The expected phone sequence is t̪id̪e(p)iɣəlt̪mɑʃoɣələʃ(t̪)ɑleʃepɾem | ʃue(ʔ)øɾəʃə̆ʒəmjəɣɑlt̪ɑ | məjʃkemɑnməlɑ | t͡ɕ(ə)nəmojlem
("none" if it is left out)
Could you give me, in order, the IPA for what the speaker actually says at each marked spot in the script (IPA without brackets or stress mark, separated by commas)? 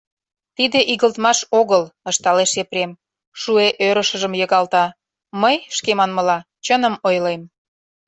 ʔ, t̪, ʔ, ə